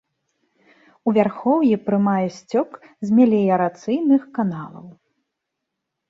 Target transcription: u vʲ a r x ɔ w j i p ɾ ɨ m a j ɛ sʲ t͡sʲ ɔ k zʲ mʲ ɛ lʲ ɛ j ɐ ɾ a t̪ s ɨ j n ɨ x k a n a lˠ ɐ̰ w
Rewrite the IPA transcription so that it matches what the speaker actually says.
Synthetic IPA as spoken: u vʲ a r x ɔ w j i p ɾ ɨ m a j ɛ sʲ t͡sʲ ɔ k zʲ mʲ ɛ lʲ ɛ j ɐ ɾ a t̪ s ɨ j n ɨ x k a n a lˠ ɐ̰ w